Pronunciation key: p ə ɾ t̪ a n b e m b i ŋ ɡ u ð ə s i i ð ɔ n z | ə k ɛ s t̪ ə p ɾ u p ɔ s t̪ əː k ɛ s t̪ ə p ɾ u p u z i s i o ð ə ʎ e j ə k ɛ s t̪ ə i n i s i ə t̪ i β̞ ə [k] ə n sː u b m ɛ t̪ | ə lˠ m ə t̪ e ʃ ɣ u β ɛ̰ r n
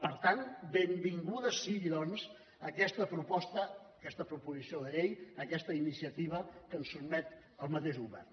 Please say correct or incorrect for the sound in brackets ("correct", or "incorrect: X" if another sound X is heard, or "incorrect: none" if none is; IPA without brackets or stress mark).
correct